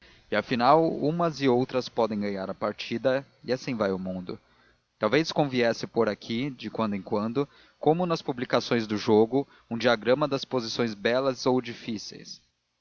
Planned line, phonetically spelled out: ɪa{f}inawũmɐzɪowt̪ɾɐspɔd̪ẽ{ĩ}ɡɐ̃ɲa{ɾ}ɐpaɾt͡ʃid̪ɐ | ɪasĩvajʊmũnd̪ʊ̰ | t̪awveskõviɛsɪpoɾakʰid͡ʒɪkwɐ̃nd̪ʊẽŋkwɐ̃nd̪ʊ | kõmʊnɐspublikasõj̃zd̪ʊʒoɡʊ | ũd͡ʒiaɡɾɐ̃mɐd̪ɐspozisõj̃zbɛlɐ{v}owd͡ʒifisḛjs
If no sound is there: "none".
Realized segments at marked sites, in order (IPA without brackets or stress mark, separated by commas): f, j̃, ɾ, z